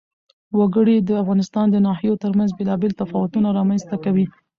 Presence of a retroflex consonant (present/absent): present